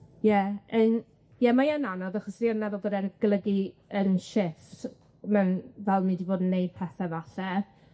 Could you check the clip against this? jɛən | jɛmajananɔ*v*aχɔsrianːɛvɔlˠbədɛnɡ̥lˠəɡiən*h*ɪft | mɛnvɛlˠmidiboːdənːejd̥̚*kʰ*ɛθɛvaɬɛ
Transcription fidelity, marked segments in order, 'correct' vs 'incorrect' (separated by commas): incorrect, incorrect, incorrect